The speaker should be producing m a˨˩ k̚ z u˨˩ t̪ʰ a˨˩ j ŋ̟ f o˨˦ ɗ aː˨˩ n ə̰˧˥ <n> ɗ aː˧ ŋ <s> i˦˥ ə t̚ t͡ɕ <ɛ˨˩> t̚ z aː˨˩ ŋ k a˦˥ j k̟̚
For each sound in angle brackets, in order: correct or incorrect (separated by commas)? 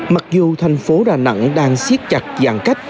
incorrect, correct, incorrect